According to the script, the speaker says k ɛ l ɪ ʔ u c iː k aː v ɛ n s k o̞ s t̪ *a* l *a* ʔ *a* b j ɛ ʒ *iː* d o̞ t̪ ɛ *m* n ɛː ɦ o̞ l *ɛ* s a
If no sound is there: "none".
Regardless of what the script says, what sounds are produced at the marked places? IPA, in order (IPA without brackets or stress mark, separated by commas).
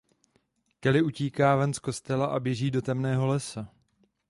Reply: ɛ, a, a, iː, m, ɛ